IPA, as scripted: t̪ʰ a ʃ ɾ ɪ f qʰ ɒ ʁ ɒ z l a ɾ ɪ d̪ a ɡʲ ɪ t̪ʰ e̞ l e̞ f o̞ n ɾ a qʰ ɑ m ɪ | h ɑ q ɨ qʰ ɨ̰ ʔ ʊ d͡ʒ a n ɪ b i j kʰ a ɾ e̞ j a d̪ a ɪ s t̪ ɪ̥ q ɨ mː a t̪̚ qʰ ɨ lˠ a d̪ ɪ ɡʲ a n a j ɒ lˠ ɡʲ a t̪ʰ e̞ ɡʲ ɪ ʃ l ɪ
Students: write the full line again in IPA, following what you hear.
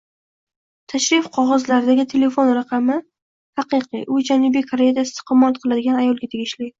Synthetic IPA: t̪ʰ a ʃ ɾ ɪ f qʰ ɒ ʁ ɒ z l a ɾ ɪ d̪ a ɡʲ ɪ t̪ʰ e̞ l e̞ f o̞ n ɾ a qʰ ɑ m ɪ | h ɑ q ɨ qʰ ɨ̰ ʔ ʊ d͡ʒ a n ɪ b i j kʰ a ɾ e̞ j a d̪ a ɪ s t̪ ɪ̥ q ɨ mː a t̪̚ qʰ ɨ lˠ a d̪ ɪ ɡʲ a n a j ɒ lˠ ɡʲ a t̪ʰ e̞ ɡʲ ɪ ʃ l ɪ